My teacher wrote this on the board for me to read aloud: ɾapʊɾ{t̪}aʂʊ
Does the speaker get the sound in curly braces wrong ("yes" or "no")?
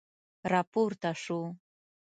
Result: no